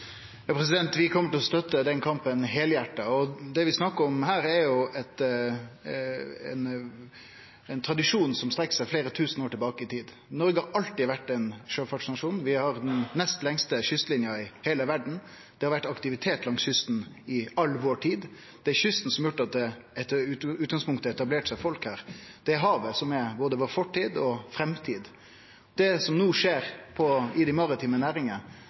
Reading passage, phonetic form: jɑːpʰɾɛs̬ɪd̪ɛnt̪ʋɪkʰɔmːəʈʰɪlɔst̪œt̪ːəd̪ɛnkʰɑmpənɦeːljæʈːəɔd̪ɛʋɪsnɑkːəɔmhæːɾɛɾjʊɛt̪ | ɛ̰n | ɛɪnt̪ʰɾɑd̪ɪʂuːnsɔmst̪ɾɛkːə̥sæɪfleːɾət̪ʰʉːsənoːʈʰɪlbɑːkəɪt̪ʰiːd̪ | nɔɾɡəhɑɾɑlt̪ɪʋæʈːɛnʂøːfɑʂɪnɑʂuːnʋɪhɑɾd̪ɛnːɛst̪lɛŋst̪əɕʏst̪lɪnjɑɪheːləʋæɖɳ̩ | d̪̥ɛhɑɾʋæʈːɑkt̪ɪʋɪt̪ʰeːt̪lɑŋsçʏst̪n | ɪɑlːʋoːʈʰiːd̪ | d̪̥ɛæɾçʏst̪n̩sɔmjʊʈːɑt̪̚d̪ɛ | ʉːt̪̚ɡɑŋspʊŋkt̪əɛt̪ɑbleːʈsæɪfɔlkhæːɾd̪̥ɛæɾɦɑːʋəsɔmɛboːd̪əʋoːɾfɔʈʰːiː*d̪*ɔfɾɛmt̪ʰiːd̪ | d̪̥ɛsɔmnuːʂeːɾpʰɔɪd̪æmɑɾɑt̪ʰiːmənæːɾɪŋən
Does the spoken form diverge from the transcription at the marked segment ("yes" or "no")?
no